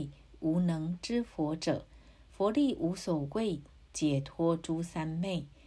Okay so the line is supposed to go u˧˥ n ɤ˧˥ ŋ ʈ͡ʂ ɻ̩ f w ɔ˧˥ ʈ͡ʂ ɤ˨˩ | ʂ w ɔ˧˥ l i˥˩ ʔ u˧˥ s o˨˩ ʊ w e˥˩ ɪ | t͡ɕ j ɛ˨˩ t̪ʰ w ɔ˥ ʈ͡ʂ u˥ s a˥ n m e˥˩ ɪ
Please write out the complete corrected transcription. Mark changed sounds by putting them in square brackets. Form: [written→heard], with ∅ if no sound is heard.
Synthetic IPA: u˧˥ n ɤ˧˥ ŋ ʈ͡ʂ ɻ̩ f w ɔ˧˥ ʈ͡ʂ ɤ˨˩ | [ʂ→f] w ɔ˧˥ l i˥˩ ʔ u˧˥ s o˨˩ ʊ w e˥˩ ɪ | t͡ɕ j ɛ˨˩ t̪ʰ w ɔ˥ ʈ͡ʂ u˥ s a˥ n m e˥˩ ɪ